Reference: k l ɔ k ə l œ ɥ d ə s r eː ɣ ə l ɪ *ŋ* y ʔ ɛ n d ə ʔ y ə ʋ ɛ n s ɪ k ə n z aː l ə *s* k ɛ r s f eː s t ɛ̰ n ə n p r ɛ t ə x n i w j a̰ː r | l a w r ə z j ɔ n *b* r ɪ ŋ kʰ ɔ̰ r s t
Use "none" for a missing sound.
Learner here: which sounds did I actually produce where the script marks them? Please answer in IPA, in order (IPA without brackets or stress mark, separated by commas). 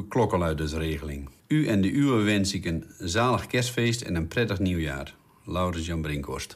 ŋ, x, b